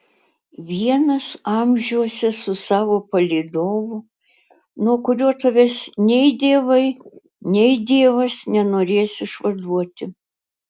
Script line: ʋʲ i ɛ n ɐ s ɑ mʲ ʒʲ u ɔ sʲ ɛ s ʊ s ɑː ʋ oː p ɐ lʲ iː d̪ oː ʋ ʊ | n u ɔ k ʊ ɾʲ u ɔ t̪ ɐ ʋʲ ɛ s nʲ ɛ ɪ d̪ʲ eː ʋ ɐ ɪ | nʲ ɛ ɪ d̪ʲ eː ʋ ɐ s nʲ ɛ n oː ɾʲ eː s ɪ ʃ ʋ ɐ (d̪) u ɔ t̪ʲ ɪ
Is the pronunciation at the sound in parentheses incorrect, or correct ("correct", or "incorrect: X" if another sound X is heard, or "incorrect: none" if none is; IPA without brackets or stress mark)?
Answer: correct